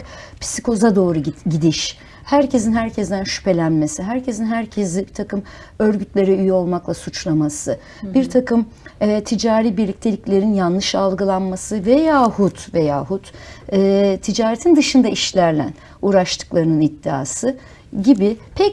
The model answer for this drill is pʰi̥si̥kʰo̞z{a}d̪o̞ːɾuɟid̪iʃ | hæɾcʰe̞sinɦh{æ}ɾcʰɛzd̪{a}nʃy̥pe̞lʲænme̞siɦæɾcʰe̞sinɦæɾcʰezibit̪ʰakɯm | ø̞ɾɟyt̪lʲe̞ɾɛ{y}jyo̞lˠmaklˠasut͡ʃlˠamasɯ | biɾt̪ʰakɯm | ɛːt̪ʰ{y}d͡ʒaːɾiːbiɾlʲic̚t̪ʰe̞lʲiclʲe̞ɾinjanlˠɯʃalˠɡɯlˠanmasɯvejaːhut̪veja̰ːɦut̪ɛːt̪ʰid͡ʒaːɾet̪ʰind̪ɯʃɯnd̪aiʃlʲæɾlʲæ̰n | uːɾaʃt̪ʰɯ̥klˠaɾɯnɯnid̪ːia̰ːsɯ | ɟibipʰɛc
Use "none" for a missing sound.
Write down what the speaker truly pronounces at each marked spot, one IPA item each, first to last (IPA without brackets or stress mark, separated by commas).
a, æ, æ, y, i